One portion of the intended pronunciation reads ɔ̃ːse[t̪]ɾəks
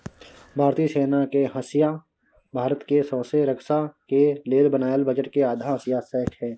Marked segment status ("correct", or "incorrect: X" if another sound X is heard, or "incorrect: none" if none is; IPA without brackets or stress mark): incorrect: none